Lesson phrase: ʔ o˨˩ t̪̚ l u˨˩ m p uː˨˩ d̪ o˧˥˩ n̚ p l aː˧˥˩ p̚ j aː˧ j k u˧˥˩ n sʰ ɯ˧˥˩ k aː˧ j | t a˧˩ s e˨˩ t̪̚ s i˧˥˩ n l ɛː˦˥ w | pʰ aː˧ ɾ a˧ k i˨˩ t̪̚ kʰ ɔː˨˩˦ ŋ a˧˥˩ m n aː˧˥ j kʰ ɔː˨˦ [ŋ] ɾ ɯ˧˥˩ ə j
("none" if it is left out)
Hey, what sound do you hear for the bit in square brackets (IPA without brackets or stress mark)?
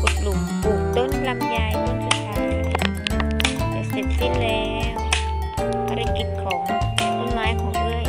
ŋ